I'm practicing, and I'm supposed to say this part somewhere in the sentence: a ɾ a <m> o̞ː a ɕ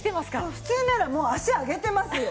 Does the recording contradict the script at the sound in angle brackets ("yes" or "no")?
no